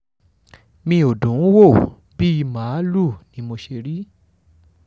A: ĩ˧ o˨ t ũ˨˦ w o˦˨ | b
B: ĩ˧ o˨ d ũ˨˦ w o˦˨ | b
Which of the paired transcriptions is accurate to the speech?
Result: B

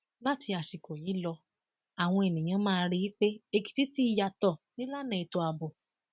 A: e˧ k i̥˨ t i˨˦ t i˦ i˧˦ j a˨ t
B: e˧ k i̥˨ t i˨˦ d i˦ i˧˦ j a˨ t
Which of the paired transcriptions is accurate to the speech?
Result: A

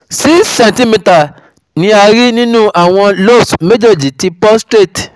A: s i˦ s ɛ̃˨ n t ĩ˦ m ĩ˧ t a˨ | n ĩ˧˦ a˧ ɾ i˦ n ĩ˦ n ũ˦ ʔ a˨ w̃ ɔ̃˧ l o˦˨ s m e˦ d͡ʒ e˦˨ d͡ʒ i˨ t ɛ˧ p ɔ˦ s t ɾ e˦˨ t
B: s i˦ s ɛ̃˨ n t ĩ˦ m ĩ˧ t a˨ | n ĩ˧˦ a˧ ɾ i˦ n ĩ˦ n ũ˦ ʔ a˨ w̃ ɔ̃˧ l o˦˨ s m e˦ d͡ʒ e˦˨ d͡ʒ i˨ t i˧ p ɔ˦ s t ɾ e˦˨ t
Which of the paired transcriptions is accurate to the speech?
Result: B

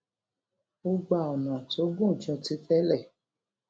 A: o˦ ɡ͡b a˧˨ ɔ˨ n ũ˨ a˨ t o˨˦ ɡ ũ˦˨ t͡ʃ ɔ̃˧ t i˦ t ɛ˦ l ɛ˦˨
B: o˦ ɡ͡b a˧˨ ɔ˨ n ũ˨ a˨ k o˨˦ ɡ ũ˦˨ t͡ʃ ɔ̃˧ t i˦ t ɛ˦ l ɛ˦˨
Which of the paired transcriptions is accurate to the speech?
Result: A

